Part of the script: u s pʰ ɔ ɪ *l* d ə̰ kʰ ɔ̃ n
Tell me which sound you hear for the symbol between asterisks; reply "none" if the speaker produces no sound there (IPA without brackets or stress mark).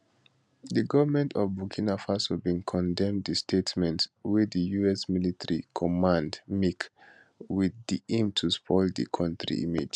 l